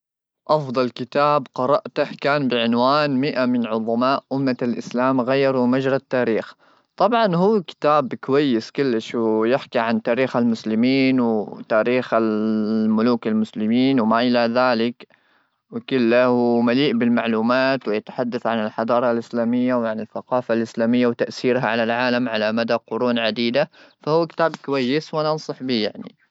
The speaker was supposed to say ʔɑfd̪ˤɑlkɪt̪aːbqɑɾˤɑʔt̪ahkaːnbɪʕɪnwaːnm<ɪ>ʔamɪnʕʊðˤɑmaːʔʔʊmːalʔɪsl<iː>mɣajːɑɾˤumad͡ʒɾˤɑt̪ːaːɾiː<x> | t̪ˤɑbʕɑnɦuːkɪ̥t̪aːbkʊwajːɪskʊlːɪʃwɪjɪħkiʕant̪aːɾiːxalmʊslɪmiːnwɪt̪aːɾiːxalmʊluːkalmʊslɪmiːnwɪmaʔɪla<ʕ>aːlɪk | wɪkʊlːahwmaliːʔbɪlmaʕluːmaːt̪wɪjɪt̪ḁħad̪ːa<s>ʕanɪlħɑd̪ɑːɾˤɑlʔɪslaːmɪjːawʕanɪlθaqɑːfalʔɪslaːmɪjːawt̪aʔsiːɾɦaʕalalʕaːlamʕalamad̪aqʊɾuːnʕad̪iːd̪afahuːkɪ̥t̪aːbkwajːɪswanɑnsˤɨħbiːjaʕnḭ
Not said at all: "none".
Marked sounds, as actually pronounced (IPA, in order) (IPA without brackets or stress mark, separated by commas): ɪ, aː, x, ð, θ